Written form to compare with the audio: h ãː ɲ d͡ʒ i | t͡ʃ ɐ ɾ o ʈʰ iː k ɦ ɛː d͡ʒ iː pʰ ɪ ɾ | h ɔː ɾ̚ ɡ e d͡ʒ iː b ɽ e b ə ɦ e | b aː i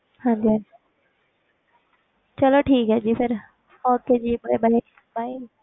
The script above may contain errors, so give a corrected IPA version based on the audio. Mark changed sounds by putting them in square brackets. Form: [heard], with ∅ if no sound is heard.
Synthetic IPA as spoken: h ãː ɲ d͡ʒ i | t͡ʃ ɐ [l] o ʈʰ iː k ɦ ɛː d͡ʒ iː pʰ ɪ ɾ | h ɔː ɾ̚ [k] e d͡ʒ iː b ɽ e b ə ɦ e | b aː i